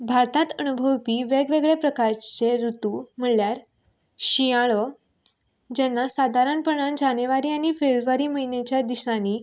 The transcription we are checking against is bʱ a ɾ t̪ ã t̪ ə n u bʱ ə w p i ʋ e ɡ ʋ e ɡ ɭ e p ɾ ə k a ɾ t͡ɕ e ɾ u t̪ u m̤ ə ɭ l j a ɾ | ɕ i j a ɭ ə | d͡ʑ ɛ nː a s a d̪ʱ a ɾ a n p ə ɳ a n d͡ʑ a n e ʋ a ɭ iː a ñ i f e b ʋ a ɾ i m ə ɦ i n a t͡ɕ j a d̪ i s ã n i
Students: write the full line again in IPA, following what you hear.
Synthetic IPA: bʱ a ɾ t̪ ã t̪ ə n u bʱ ə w p i ʋ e ɡ ʋ e ɡ ɭ e p ɾ ə k a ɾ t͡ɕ e ɾ u t̪ u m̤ ə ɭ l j a ɾ | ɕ i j a ɭ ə | d͡ʑ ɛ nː a s a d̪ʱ a ɾ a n p ə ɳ a n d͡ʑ a n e ʋ a ɾ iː a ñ i f e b ʋ a ɾ i m ə ɦ i n e t͡ɕ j a d̪ i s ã n i